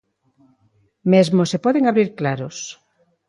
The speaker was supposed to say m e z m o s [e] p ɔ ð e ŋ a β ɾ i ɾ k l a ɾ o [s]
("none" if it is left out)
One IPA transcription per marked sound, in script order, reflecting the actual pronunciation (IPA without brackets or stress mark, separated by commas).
e, s